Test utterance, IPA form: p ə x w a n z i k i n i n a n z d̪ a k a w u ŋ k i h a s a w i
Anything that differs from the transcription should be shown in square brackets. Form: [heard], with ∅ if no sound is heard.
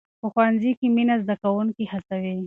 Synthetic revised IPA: p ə x w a n z i k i [m] i n a [∅] z d̪ a k a w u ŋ k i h a s a w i